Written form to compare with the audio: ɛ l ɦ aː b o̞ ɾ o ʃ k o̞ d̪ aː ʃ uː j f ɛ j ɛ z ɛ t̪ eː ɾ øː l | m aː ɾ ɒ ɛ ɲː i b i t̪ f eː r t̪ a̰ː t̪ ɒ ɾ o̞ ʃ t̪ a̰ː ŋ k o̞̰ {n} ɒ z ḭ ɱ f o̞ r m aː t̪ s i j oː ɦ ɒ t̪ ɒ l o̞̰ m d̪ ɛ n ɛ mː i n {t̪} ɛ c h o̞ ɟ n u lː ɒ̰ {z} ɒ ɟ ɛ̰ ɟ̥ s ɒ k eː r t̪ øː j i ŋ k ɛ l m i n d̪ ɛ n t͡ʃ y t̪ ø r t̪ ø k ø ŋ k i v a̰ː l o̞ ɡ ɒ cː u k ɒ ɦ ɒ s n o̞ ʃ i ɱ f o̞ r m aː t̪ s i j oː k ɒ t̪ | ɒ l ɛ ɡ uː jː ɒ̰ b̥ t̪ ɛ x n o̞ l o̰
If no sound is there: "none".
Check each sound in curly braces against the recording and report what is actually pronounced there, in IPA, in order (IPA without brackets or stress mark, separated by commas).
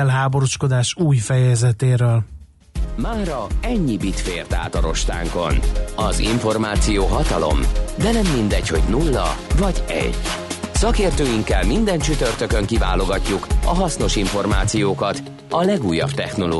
n, d̪, v